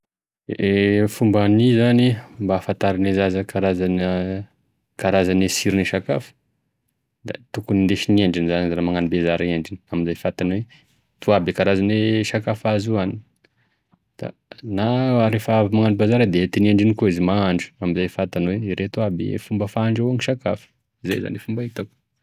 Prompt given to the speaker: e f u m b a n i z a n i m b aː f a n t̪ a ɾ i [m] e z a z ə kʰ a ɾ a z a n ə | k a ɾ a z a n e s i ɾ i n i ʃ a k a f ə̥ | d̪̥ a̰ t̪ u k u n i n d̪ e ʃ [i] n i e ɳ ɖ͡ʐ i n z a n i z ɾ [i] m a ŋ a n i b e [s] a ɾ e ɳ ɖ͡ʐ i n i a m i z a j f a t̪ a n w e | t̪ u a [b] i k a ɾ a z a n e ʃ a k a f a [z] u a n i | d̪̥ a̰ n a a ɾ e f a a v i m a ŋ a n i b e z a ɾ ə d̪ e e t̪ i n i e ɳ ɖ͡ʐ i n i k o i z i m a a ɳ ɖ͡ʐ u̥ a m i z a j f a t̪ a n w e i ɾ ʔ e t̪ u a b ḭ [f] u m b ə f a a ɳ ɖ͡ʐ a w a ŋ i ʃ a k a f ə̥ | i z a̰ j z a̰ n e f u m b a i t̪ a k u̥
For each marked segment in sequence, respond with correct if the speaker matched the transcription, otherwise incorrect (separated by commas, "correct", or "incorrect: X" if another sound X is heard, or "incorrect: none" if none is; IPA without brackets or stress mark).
incorrect: n, correct, incorrect: a, incorrect: z, correct, correct, correct